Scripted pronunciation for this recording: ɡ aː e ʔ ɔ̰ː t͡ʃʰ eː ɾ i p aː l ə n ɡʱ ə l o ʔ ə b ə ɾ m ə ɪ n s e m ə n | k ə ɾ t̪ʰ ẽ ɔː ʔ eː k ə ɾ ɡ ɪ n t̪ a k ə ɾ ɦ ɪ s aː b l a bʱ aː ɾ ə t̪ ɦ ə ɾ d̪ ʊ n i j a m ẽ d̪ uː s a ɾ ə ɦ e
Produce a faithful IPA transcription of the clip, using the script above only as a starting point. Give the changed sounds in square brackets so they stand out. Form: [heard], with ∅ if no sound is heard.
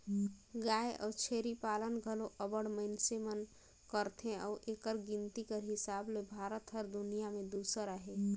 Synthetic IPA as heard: ɡ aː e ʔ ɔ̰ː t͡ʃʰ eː ɾ i p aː l ə n ɡʱ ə l o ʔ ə b ə [ɽ] m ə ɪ n s e m ə n | k ə ɾ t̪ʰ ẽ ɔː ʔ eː k ə ɾ ɡ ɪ n t̪ [i] k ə ɾ ɦ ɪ s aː b l [e] bʱ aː ɾ ə t̪ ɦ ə ɾ d̪ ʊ n i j a m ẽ d̪ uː s [ə] ɾ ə ɦ e